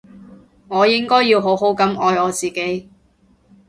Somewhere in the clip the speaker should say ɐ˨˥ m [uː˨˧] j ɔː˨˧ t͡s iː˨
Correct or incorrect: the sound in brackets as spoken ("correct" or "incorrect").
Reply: incorrect